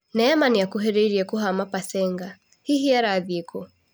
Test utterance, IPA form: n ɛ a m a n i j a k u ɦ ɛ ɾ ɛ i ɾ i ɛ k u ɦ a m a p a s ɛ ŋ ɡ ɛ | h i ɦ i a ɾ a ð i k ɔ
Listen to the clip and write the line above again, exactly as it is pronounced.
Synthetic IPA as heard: n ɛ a m a n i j a k u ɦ ɛ ɾ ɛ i ɾ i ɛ k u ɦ a m a p a s ɛ ŋ ɡ a | h i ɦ i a ɾ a ð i k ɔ